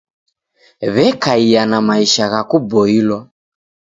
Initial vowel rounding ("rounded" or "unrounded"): unrounded